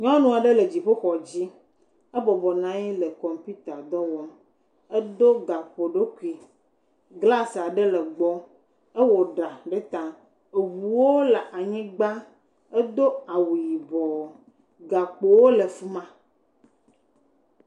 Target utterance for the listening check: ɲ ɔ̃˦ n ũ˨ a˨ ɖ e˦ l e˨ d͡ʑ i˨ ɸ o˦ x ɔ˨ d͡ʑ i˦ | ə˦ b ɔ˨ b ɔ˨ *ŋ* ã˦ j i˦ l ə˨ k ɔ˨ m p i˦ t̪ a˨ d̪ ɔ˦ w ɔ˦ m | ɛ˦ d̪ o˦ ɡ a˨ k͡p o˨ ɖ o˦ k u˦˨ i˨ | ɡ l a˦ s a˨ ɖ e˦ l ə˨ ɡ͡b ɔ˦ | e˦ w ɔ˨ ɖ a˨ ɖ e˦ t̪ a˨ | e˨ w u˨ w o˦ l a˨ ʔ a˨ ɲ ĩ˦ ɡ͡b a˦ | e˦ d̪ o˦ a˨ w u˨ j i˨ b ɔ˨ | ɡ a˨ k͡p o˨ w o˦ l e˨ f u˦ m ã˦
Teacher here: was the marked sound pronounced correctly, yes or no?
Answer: no